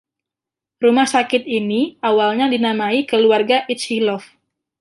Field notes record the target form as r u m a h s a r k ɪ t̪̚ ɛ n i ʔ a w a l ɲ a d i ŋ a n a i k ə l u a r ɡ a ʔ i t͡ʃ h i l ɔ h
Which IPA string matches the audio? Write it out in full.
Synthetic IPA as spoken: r u m a h s a k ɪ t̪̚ i n i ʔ a w a l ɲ a d i n a m a i k ə l u a r ɡ a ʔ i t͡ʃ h i l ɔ f

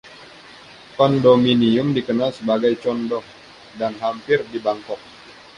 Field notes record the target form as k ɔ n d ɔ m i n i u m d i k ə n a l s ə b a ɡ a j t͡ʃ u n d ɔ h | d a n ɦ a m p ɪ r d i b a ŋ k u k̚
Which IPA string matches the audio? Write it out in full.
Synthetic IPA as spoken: k ɔ n d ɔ m i n i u m d i k ə n a l s ə b a ɡ a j t͡ʃ ɔ n d ɔ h | d a n ɦ a m p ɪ r d i b a ŋ k ɔ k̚

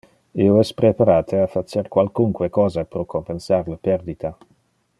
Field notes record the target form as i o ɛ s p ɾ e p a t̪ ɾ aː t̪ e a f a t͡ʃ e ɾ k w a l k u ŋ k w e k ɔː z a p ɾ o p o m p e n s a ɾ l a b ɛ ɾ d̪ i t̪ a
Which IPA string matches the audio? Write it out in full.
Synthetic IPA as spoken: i o ɛ s p ɾ e p a ɾ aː t̪ e a f a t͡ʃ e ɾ k w a l k u ŋ k w e k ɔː z a p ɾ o k o m p e n s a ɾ l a p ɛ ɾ d̪ i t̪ a

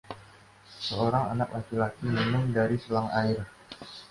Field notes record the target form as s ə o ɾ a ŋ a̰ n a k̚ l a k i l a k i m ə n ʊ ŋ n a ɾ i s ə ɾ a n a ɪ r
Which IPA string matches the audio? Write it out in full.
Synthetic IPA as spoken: s ə o ɾ a ŋ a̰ n a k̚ l a k i l a k i m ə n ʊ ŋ d a ɾ i s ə l a ŋ a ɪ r

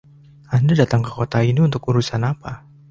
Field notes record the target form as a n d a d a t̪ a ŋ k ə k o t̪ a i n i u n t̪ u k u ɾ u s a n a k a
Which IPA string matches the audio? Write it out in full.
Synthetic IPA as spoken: a n d a d a t̪ a ŋ k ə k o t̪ a i n i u n t̪ ʊ k u ɾ u s a n a p a

